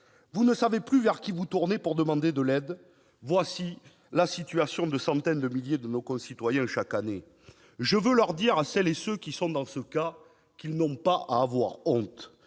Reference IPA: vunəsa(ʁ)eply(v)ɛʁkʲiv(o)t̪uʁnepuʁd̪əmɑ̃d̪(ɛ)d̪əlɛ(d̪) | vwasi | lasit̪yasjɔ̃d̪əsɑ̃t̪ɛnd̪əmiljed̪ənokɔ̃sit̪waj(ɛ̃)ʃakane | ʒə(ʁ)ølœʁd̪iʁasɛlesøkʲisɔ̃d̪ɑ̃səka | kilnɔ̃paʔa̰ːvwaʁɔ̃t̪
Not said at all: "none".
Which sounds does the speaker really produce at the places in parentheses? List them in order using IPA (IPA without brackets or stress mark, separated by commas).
v, v, u, e, d̪, ɛ̃, v